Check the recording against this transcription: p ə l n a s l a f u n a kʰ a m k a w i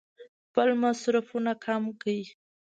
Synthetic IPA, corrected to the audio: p ə l m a s ɾ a f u n a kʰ a m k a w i

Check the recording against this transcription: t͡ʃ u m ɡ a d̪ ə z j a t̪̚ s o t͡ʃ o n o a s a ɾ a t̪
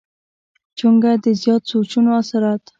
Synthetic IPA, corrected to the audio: t͡ʃ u ŋ ɡ a d̪ ə z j ɑ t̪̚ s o t͡ʃ u n o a s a ɾ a t̪

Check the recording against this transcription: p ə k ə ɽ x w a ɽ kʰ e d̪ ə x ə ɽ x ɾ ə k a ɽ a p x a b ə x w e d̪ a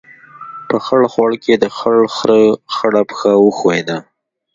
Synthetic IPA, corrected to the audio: p ə x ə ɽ x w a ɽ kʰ e d̪ ə x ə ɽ x ɾ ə x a ɽ a p x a w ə x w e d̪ a

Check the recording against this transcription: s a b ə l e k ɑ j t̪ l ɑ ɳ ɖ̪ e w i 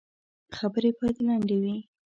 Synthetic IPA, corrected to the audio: x a b ə ɾ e p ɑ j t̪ l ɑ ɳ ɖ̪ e w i

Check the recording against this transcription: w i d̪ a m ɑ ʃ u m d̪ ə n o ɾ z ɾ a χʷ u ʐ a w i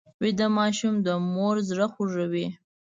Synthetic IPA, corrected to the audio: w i d̪ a m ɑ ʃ u m d̪ ə m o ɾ z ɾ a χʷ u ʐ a w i

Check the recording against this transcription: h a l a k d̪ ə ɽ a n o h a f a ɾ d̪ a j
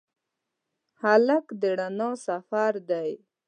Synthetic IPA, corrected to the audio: h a l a k d̪ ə ɽ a n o s a f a ɾ d̪ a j

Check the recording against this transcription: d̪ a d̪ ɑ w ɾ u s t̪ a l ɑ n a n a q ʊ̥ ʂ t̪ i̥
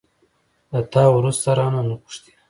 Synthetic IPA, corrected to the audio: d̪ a t̪ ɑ w ɾ u s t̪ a ɾ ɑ n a n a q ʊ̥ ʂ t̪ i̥

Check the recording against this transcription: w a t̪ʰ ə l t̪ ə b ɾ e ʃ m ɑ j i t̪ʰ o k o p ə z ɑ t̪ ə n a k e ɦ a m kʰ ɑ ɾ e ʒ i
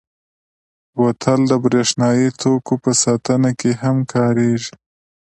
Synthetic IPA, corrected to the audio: w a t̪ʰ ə l d̪ ə b ɾ e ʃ n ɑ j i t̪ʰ o k o p ə s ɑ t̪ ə n a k e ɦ a m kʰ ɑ ɾ e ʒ i

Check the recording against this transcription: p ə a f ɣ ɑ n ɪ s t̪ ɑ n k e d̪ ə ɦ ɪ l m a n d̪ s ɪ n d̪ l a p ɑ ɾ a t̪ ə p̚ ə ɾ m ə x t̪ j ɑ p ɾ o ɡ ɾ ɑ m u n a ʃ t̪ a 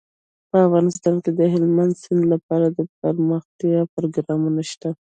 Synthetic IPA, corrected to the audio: p ə a f ɣ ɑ n ɪ s t̪ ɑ n k e d̪ ə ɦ ɪ l m a n d̪ s ɪ n d̪ l a p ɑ ɾ a d̪ ə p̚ ə ɾ m ə x t̪ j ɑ p ɾ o ɡ ɾ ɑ m u n a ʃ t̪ a

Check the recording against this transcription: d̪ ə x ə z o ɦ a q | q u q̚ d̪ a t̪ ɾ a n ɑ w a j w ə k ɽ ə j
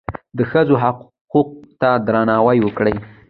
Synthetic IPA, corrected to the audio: d̪ ə x ə z o ɦ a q | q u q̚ t̪ a d̪ ɾ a n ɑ w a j w ə k ɽ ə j

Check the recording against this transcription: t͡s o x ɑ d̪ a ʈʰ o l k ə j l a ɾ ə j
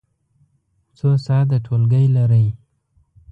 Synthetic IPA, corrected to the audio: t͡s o s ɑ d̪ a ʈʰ o l ɡ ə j l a ɾ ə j

